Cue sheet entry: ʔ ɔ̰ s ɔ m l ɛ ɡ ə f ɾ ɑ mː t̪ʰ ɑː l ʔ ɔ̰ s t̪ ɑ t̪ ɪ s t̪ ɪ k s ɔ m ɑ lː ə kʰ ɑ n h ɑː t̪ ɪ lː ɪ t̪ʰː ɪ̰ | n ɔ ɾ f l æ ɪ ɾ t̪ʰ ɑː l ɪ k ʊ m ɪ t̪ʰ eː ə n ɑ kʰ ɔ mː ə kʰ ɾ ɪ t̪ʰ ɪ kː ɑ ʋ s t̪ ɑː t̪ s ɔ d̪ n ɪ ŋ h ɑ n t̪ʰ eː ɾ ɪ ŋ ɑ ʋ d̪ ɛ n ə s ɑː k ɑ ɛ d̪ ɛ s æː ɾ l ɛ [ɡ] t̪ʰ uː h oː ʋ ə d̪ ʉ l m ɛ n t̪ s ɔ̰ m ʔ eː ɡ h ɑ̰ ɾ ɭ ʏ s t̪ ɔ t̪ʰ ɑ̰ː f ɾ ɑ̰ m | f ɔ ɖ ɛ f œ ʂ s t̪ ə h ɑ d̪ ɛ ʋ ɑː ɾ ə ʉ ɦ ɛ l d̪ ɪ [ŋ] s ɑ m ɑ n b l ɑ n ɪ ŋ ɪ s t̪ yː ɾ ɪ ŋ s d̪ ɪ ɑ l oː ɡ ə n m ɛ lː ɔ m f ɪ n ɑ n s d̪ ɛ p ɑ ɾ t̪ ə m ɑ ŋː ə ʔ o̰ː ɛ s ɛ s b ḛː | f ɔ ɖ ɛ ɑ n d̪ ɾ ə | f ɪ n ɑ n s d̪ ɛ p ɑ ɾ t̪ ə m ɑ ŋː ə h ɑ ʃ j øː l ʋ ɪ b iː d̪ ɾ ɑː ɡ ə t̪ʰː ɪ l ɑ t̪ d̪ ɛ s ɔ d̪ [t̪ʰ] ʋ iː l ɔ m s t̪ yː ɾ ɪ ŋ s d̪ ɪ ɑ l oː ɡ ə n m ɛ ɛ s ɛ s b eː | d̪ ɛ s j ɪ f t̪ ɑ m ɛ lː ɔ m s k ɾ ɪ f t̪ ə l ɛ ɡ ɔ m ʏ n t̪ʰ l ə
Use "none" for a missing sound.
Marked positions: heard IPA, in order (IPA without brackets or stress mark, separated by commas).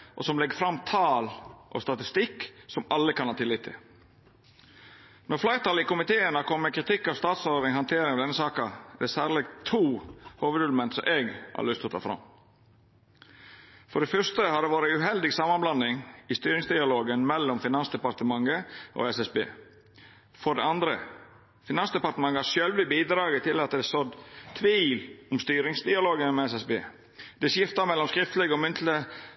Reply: ɡ, ɡ, t̪ʰ